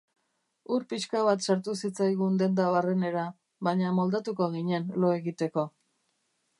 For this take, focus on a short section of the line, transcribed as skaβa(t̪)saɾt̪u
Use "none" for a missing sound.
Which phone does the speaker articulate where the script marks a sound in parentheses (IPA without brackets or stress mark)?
t̪